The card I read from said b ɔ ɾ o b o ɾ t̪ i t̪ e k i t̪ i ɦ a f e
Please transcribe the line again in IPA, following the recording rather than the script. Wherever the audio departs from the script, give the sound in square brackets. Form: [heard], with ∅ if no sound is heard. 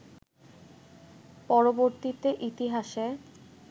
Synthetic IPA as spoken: [p] ɔ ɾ o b o ɾ t̪ i t̪ e [ʔ] i t̪ i ɦ a [ʃ] e

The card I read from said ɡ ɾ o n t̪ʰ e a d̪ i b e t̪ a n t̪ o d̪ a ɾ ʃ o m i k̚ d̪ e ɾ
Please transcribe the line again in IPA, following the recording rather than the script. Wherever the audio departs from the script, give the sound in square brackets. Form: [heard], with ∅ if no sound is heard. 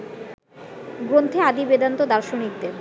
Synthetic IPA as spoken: ɡ ɾ o n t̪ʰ e a d̪ i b e [d̪] a n t̪ o d̪ a ɾ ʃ o [n] i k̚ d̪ e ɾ

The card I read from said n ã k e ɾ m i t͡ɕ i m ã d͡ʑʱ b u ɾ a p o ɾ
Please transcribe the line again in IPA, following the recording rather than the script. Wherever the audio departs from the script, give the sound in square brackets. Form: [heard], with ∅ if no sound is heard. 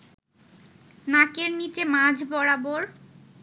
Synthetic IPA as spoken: n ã k e ɾ [n] i t͡ɕ [e] m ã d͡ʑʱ b [ɔ] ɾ a [b] o ɾ

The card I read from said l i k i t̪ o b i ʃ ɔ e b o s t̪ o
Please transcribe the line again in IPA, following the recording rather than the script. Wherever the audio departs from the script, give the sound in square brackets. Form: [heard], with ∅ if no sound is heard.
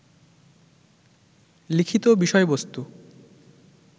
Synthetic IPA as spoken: l i [kʰ] i t̪ o b i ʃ ɔ e b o s t̪ [u]

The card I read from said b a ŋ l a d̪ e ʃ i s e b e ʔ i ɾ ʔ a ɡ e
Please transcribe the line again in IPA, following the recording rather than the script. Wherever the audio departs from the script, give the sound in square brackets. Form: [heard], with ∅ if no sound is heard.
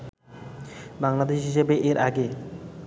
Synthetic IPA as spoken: b a ŋ l a d̪ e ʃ i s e b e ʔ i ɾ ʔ a ɡ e

